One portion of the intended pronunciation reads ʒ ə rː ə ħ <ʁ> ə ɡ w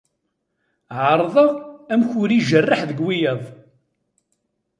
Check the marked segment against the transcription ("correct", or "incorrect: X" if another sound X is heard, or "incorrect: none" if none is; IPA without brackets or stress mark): incorrect: ð